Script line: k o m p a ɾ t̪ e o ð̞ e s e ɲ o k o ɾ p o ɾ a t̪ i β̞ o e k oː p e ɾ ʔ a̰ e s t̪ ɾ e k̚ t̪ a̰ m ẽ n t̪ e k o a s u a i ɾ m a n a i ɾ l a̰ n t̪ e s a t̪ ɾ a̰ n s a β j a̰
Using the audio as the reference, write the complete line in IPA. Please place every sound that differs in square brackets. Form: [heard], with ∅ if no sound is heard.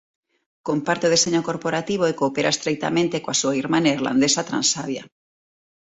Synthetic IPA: k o m p a ɾ t̪ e o ð̞ e s e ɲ o k o ɾ p o ɾ a t̪ i β̞ o e k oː p e ɾ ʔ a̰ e s t̪ ɾ e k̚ t̪ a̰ m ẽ n t̪ e k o a s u a i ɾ m a n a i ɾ l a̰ n [d̪] e s a t̪ ɾ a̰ n s a β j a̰